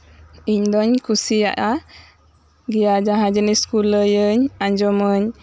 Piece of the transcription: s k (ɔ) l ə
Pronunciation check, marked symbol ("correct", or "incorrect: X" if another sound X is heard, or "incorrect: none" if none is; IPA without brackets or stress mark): incorrect: u